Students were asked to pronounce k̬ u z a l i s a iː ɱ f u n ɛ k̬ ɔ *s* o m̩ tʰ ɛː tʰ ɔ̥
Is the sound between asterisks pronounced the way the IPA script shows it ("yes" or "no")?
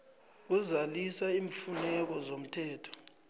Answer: no